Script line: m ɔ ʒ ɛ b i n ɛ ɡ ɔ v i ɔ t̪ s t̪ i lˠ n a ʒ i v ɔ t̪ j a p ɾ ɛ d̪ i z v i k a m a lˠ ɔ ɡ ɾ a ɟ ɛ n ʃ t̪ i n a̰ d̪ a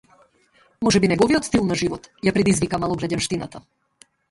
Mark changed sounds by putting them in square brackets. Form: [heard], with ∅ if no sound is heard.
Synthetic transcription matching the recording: m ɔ ʒ ɛ b i n ɛ ɡ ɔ v i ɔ t̪ s t̪ i lˠ n a ʒ i v ɔ t̪ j a p ɾ ɛ d̪ i z v i k a m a lˠ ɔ ɡ ɾ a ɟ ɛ n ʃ t̪ i n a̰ [t̪] a